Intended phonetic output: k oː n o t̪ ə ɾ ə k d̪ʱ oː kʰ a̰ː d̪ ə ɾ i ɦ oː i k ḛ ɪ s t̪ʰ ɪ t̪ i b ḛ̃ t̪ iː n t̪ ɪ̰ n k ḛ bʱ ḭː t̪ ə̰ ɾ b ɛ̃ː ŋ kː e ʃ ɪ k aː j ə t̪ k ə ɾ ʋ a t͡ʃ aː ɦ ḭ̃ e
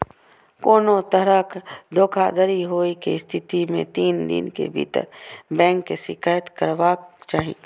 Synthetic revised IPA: k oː n o t̪ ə ɾ ə k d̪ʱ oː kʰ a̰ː d̪ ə ɾ i ɦ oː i k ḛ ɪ s t̪ʰ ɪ t̪ i m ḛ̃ t̪ iː n d̪ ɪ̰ n k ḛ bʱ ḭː t̪ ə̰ ɾ b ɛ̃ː ŋ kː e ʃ ɪ k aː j ə t̪ k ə ɾ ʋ a t͡ʃ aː ɦ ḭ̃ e